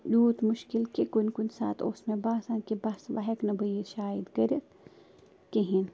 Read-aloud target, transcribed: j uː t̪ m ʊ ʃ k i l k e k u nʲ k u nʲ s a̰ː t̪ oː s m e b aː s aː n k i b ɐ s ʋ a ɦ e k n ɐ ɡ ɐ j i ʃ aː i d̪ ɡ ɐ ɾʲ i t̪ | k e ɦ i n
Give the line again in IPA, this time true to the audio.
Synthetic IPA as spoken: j uː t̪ m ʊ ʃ k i l k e k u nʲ k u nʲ s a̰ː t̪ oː s m e b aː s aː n k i b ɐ s ʋ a ɦ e k n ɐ b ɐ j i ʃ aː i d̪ ɡ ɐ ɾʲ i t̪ | k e ɦ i n